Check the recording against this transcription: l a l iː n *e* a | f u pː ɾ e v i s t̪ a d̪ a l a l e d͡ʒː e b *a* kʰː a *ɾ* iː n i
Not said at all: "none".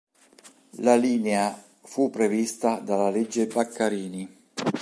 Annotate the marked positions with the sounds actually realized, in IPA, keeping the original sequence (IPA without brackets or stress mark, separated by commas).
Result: e, a, ɾ